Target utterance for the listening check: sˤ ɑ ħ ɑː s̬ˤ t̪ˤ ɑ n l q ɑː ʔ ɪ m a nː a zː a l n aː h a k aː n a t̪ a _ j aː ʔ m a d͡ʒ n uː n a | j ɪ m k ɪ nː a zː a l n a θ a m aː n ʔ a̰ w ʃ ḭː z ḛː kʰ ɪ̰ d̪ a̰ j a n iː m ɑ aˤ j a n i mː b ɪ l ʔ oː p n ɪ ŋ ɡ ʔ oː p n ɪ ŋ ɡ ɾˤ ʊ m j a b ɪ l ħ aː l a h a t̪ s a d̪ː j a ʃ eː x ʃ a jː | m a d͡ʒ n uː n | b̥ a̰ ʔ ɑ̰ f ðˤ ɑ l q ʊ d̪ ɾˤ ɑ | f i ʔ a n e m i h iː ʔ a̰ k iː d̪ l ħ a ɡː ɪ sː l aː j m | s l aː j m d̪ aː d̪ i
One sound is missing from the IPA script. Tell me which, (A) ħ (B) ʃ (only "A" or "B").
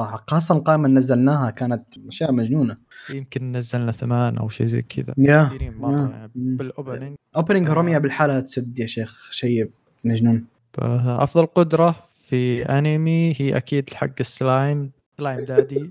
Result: B